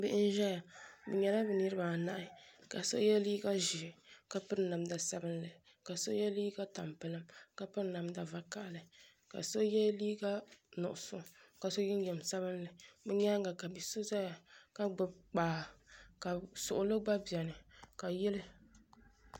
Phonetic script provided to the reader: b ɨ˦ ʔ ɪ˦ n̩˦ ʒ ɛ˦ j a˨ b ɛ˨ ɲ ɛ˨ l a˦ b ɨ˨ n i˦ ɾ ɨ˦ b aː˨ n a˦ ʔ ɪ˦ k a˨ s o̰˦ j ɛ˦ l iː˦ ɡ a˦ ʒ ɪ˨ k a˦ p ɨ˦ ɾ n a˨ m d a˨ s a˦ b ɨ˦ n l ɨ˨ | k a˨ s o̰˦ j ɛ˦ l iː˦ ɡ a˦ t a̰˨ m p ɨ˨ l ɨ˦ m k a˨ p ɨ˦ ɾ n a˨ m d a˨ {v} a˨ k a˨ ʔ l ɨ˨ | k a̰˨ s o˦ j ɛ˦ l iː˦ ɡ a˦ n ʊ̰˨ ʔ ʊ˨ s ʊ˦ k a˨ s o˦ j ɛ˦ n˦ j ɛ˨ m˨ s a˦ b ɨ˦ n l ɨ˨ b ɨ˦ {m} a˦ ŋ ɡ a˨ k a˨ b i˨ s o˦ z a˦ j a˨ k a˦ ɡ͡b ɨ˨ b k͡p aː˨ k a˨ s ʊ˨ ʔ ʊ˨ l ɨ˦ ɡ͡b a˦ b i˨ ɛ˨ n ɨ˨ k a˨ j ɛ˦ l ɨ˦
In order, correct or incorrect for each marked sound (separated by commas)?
correct, incorrect